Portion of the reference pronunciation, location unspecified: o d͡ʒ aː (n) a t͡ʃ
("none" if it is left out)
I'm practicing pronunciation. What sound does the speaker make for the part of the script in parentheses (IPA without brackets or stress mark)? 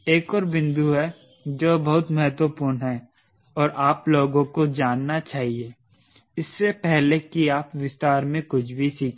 nː